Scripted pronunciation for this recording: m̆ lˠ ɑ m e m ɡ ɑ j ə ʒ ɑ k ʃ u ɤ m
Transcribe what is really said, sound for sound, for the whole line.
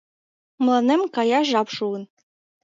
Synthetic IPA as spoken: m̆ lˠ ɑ n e m k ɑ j ɑ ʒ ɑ p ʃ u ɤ n